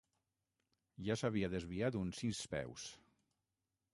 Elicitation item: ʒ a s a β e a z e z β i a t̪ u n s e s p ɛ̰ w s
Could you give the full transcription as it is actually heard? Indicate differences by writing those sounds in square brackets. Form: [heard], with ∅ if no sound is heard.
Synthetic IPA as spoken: ʒ a s a β [i] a [ð] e z β i a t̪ u n s [i] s p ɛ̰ w s